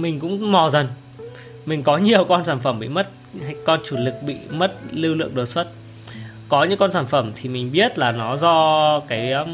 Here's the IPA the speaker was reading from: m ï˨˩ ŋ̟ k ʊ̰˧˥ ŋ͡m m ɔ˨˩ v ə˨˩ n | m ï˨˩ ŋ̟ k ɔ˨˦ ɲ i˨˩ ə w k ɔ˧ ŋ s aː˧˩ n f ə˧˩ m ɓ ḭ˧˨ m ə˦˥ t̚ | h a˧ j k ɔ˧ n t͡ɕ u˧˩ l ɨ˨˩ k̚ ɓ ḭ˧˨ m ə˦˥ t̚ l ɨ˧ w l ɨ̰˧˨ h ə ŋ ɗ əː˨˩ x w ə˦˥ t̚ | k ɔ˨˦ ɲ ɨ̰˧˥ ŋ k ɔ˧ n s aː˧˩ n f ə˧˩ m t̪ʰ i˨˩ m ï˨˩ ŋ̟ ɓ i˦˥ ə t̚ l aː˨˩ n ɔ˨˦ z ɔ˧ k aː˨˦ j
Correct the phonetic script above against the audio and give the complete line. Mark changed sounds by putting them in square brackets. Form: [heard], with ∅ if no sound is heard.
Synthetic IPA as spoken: m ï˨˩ ŋ̟ k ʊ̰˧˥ ŋ͡m m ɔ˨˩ [z] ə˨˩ n | m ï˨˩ ŋ̟ k ɔ˨˦ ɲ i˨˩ ə w k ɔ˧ [n] s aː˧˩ n f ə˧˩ m ɓ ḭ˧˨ m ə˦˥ t̚ | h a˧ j k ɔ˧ n t͡ɕ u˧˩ l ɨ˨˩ k̚ ɓ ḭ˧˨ m ə˦˥ t̚ l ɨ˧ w l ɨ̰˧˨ [∅] ə ŋ ɗ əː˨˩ [s] w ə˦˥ t̚ | k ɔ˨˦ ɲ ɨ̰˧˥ ŋ k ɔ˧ n s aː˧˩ n f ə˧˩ m t̪ʰ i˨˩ m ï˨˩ ŋ̟ ɓ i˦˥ ə t̚ l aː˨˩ n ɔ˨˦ z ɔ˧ k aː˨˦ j